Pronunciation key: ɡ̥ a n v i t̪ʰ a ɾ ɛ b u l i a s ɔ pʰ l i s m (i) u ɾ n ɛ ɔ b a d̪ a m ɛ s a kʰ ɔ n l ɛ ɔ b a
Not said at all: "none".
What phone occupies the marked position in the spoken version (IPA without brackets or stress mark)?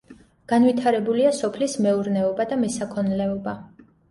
ɛ